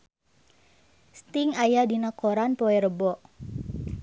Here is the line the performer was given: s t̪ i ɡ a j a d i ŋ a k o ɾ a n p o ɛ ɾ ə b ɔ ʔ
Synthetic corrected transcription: s t̪ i ŋ a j a d i n a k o ɾ a n p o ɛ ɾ ə b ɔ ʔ